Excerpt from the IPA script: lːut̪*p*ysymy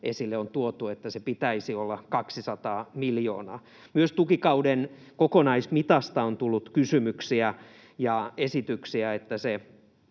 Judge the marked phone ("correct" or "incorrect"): incorrect